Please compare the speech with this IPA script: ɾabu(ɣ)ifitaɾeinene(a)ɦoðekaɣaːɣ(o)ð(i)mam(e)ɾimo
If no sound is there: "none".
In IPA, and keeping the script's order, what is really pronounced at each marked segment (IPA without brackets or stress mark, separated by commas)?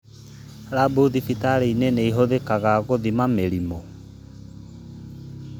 ð, i, o, i, e